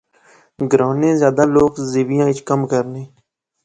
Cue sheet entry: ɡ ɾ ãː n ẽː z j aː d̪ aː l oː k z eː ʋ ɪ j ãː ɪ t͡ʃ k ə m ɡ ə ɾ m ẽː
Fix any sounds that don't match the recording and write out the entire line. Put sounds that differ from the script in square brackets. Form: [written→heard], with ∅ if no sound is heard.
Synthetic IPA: ɡ ɾ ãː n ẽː z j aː d̪ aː l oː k z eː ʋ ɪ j ãː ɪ t͡ʃ k ə m [ɡ→k] ə ɾ [m→n] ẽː